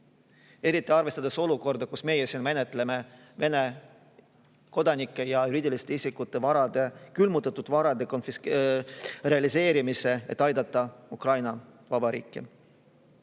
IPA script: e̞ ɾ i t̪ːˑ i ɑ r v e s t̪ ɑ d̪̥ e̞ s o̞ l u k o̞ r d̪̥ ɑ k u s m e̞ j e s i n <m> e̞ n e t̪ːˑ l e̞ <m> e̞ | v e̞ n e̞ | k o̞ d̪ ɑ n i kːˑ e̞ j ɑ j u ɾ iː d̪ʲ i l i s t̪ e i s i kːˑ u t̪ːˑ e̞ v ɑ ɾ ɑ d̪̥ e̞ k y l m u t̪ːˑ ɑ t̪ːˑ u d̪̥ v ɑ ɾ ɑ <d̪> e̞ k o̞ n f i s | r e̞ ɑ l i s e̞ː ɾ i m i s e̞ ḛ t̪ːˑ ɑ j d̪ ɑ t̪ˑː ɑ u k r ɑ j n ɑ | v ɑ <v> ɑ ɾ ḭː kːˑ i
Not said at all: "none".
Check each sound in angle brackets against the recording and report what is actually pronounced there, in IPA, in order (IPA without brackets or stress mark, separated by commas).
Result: m, m, d̪, b